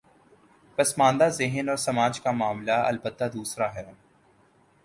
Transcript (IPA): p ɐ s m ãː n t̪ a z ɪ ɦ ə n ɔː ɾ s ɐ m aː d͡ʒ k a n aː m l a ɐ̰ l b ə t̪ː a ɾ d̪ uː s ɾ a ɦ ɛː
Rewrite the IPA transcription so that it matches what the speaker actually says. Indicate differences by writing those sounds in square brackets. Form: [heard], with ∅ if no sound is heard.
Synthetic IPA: p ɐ s m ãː n [d̪] a z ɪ ɦ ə n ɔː ɾ s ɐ m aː d͡ʒ k a [m] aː m l a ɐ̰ l b ə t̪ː a [∅] d̪ uː s ɾ a ɦ ɛː